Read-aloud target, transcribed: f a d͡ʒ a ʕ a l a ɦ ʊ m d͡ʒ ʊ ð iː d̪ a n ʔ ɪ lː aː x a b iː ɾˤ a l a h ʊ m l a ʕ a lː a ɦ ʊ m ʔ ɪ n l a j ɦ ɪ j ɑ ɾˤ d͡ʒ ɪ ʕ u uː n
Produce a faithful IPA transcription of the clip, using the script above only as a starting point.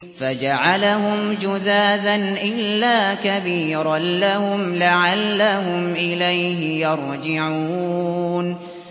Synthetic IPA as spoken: f a d͡ʒ a ʕ a l a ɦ ʊ m d͡ʒ ʊ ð aː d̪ a n ʔ ɪ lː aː k a b iː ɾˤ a l a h ʊ m l a ʕ a lː a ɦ ʊ m ʔ ɪ l a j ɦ ɪ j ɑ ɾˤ d͡ʒ ɪ ʕ u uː n